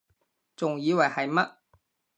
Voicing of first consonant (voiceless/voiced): voiceless